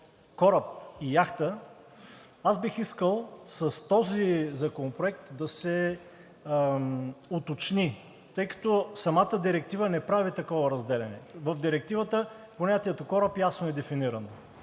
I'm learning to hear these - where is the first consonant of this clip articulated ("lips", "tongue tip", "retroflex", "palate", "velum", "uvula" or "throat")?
velum